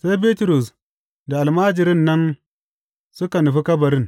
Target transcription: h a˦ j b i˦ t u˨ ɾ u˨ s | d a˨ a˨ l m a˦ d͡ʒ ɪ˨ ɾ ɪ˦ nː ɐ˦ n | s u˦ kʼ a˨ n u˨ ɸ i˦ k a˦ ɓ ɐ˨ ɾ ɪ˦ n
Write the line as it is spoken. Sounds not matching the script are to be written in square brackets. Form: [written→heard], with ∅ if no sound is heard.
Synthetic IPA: [h→s] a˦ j b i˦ t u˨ ɾ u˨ s | d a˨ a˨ l m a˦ d͡ʒ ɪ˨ ɾ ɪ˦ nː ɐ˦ n | s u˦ [kʼ→k] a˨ n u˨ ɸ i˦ k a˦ [ɓ→b] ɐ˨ ɾ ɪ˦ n